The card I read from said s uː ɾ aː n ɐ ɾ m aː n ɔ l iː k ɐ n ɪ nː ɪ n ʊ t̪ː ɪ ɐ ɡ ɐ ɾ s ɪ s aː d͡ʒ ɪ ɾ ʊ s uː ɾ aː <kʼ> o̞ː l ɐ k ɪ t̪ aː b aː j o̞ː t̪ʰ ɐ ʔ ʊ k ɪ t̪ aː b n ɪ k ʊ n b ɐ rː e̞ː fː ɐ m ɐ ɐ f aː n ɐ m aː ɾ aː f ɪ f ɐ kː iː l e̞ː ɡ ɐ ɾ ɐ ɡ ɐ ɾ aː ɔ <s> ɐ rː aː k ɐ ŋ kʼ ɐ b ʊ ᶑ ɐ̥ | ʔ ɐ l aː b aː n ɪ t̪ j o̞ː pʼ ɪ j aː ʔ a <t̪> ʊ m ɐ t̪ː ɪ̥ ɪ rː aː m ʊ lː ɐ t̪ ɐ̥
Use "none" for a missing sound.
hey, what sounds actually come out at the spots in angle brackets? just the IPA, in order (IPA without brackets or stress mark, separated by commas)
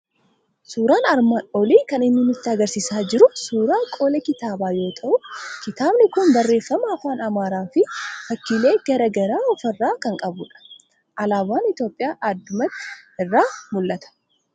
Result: kʼ, f, d̪